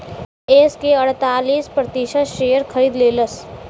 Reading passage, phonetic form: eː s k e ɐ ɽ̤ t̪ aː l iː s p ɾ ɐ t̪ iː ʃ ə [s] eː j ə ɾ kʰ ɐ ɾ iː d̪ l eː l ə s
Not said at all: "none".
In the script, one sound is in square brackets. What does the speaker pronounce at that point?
ʃ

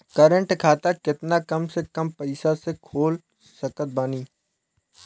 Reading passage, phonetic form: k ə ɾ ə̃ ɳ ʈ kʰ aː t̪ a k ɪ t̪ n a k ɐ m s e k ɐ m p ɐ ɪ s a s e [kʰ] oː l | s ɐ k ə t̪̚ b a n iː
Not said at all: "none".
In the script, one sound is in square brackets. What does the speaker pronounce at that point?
kʰ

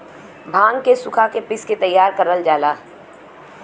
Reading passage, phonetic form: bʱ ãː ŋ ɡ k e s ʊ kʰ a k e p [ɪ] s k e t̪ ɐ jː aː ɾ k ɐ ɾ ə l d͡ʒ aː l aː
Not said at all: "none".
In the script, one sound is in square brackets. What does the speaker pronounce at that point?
ɪ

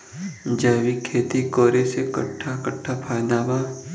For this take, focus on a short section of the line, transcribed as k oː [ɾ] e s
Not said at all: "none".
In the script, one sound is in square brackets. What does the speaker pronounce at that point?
ɾ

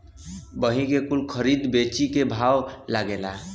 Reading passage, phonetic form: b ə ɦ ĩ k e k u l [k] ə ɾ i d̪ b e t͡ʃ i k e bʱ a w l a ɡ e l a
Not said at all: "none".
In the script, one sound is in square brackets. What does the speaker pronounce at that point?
kʰ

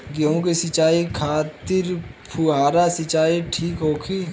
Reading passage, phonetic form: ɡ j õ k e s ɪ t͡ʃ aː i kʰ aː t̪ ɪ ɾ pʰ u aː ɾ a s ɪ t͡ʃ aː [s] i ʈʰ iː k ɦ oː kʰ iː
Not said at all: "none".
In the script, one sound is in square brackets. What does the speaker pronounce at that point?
none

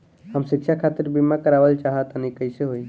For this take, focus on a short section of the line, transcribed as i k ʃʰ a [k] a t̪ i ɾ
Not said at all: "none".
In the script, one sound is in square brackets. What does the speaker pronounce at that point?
kʰ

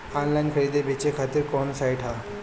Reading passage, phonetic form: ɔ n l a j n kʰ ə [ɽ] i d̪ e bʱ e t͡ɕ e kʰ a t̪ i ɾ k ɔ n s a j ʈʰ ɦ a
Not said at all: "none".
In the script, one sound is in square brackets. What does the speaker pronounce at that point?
ɾ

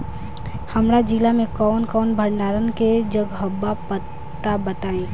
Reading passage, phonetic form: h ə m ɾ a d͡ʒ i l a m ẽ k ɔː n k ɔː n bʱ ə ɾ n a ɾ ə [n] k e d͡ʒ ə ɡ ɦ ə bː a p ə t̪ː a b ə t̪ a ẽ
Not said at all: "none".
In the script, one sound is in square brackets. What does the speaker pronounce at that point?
n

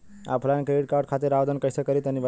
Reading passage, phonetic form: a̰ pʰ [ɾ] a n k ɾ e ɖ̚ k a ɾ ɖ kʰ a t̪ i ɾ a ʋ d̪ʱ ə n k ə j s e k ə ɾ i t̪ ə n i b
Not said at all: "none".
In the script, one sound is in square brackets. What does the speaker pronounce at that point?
l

